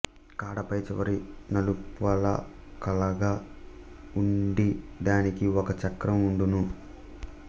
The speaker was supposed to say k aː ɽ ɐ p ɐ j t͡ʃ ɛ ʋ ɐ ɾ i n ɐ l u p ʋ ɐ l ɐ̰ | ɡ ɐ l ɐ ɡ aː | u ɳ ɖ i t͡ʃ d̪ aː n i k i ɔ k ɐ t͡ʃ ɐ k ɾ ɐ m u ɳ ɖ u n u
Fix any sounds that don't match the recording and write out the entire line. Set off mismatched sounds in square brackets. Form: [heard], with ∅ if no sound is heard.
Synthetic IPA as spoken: k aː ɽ ɐ p ɐ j t͡ʃ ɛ ʋ ɐ ɾ i n ɐ l u p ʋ ɐ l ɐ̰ | [k] ɐ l ɐ ɡ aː | u ɳ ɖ i [∅] d̪ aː n i k i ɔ k ɐ t͡ʃ ɐ k ɾ ɐ m u ɳ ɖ u n u